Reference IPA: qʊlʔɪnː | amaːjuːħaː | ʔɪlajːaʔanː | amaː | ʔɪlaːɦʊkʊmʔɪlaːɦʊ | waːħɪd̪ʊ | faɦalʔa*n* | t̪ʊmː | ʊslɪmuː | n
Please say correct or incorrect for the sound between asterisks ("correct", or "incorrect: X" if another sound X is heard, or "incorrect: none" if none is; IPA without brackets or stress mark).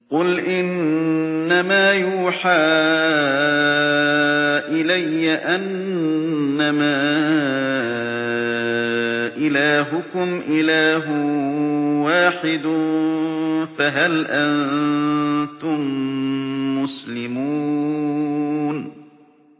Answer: correct